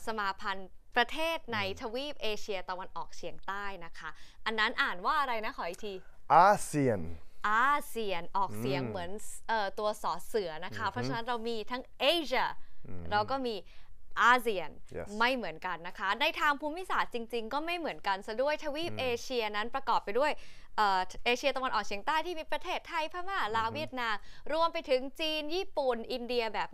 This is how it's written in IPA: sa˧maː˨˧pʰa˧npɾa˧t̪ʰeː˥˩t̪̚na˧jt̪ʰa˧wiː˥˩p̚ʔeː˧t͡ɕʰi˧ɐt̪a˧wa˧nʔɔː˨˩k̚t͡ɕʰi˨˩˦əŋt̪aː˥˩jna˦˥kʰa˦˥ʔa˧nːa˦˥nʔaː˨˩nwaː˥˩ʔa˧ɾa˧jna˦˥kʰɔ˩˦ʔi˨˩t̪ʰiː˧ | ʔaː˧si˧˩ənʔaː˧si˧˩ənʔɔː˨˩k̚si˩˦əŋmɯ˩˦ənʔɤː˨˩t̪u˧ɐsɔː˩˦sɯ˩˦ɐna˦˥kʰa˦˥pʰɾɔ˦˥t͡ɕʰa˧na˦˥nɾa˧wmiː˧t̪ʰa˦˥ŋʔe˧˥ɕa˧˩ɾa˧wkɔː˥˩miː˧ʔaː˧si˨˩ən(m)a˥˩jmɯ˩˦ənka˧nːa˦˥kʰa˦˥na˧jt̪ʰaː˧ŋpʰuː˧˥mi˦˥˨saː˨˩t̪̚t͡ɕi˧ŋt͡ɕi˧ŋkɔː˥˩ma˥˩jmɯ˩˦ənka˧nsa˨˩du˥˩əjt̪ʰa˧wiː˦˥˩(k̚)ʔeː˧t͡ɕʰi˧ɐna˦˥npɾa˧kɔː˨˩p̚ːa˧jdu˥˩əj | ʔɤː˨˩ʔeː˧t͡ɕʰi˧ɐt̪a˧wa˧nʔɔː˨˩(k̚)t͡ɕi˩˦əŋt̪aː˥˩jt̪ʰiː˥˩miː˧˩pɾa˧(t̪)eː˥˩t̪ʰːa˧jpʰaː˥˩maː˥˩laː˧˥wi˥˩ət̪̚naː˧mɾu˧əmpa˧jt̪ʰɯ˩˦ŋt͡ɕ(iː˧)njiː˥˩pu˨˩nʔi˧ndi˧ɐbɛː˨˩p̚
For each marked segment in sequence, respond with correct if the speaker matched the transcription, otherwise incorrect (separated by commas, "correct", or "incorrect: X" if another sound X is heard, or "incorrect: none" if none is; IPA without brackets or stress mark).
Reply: correct, incorrect: p̚, correct, incorrect: t̪ʰ, correct